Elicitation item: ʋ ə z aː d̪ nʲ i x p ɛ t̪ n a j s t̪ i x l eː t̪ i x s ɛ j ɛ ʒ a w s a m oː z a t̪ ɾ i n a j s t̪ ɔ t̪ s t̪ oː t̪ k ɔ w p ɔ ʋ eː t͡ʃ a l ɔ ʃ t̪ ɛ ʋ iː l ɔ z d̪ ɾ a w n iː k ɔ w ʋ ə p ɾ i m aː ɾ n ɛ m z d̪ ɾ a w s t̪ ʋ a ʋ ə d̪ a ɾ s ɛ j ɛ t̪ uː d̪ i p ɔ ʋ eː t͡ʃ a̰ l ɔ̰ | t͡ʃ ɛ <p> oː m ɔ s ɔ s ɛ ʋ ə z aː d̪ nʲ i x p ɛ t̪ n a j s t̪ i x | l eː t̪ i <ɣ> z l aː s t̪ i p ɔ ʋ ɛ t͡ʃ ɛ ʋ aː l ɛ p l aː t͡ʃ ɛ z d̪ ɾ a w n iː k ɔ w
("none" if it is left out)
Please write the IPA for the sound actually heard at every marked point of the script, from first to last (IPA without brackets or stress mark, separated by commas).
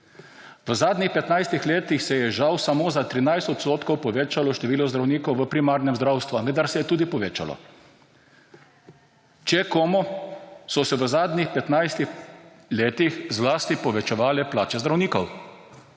k, x